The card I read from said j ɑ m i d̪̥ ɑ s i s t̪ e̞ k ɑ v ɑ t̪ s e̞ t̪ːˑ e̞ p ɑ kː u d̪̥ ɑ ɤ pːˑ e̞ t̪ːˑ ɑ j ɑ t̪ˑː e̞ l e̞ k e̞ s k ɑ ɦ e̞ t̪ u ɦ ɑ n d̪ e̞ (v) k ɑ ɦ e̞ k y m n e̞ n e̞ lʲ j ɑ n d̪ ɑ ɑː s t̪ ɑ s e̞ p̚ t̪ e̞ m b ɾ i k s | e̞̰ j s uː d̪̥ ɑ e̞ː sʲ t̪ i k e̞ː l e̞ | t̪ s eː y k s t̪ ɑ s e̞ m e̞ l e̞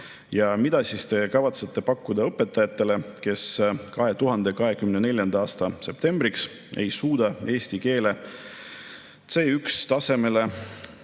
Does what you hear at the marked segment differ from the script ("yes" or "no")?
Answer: yes